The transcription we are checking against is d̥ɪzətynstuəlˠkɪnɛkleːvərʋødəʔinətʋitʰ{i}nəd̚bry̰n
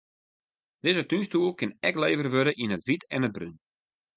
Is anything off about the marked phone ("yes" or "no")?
yes